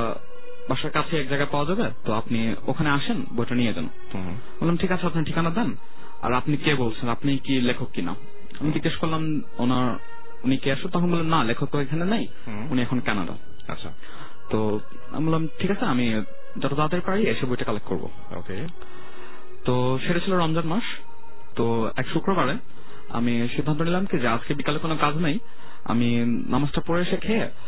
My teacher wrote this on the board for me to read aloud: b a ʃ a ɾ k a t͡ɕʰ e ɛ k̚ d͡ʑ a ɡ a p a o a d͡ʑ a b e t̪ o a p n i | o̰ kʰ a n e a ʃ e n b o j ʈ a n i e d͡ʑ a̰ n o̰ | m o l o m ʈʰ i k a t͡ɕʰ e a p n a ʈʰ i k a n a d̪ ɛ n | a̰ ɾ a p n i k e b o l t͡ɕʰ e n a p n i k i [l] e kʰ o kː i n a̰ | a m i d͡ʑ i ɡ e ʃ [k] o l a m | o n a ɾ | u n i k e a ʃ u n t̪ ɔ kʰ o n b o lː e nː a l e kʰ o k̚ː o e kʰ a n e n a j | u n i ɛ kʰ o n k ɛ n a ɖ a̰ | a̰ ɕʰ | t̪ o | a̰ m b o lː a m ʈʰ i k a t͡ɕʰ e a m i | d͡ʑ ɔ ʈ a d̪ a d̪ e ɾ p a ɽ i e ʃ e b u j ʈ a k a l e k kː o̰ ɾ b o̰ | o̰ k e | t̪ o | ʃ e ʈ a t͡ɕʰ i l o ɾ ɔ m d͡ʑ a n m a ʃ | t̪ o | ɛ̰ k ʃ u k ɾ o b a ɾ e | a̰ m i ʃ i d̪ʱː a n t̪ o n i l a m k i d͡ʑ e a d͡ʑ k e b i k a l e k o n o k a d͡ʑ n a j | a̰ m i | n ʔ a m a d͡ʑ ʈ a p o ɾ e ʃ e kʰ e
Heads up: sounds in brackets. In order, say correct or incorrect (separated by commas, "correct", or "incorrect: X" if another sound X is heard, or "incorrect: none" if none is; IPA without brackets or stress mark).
correct, correct